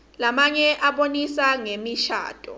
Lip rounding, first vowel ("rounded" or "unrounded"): unrounded